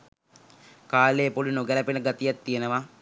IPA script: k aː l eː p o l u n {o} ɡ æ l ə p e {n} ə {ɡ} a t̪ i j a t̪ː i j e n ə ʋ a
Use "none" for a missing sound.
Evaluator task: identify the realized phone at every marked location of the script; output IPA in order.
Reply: o, n, ɡ

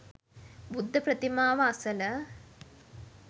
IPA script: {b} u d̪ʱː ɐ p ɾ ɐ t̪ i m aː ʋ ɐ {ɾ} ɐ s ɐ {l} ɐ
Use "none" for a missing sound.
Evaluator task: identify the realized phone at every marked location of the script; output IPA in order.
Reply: b, none, l

